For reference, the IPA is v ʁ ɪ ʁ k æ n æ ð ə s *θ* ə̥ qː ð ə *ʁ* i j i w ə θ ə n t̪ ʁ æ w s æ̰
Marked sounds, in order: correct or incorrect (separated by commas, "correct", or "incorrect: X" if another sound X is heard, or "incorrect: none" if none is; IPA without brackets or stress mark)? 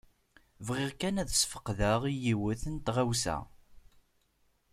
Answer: incorrect: f, correct